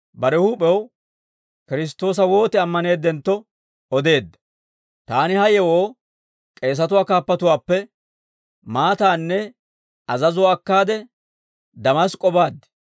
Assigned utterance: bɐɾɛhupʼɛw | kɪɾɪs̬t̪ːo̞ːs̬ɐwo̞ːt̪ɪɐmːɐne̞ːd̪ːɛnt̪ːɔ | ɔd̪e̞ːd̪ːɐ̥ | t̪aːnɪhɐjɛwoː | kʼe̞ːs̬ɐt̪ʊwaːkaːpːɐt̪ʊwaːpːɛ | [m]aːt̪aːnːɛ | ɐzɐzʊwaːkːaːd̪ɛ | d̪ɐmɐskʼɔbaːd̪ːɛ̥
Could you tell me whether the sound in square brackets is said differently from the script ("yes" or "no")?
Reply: no